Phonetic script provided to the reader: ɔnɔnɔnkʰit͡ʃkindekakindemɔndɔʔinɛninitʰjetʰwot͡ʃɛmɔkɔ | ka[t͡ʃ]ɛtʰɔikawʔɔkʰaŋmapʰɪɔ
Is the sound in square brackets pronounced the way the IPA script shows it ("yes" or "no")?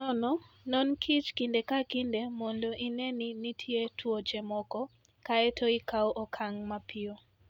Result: no